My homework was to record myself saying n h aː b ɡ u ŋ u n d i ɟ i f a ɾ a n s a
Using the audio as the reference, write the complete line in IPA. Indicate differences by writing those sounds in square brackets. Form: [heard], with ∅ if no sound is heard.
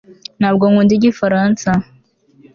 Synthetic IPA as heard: n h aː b ɡ [o] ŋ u n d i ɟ i f a ɾ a n s a